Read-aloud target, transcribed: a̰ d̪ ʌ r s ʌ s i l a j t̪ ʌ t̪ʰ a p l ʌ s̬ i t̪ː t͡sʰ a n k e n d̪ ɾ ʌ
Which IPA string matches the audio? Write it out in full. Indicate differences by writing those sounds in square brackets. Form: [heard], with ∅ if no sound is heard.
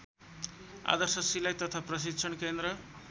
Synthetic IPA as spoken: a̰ d̪ ʌ r s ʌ s i l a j t̪ ʌ t̪ʰ a p [r] ʌ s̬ i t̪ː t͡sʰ [ʌ] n k e n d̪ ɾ ʌ